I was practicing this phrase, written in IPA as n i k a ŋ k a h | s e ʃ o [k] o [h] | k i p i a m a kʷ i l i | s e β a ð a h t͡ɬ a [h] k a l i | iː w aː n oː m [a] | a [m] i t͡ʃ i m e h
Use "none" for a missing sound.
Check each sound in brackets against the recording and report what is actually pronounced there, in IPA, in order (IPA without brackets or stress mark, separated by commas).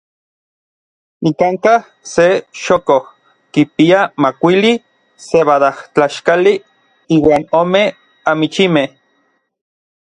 k, h, ʃ, e, m